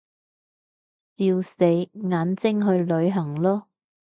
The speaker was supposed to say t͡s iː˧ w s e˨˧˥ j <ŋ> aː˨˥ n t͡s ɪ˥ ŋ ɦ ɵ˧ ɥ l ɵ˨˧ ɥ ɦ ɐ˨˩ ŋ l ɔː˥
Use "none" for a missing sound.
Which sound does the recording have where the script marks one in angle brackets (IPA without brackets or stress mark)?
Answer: ŋ